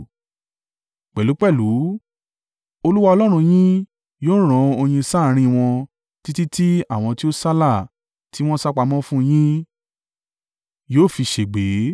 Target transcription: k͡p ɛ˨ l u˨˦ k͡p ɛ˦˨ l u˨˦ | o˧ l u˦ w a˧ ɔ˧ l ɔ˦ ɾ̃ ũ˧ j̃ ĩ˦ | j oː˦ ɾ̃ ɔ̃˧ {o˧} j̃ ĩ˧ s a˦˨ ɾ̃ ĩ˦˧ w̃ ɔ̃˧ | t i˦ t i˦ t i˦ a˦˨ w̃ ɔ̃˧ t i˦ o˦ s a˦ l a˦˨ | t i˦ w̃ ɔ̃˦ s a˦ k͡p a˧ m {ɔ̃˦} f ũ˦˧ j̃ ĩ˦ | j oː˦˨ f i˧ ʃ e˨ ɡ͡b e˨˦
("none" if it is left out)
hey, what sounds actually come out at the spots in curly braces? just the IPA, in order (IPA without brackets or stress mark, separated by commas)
o˧, ɔ̃˦